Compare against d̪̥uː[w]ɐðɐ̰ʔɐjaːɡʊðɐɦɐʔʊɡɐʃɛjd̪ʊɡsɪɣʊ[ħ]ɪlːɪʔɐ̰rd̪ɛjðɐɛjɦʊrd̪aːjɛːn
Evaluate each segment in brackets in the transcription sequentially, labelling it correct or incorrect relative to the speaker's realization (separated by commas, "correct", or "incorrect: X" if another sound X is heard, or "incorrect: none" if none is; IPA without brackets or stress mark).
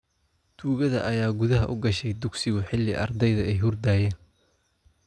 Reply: incorrect: ɣ, correct